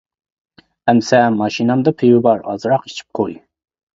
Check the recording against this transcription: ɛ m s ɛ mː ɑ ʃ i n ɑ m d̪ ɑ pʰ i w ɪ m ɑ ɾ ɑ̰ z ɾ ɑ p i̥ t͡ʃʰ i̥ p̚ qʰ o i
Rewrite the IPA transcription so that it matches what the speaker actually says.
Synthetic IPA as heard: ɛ m s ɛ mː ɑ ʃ i n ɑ m d̪ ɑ pʰ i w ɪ b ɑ ɾ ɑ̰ z ɾ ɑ q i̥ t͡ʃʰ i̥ p̚ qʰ o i